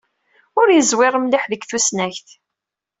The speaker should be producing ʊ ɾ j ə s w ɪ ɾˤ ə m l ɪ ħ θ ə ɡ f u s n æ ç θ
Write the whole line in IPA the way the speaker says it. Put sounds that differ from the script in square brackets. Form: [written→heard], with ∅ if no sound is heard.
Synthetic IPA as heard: ʊ ɾ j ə [s→z] w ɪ ɾˤ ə m l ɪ ħ [θ→ð] ə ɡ [f→θ] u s n æ ç θ

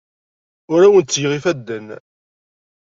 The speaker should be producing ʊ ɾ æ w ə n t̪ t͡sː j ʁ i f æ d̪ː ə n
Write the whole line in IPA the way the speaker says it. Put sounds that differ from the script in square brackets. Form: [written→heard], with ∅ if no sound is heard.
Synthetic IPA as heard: ʊ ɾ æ w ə n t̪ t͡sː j ʁ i f æ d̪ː ə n

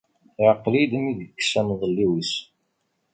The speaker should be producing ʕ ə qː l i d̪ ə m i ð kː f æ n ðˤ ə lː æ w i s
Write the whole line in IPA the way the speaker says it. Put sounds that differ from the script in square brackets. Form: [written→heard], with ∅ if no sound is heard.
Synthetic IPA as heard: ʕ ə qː l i d̪ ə m i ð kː [f→s] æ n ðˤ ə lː [æ→i] w i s

